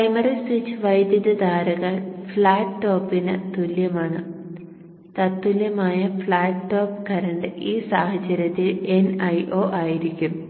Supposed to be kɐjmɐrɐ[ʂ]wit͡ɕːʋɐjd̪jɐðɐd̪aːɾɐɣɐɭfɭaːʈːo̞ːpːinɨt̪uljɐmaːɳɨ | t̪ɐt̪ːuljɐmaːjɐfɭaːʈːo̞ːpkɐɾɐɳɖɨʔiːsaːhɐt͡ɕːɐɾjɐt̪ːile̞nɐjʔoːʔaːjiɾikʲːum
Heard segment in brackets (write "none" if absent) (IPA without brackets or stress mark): s